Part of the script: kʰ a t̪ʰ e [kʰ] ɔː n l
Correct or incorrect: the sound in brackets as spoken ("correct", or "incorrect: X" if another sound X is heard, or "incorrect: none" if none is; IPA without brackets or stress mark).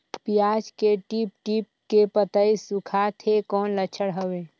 incorrect: k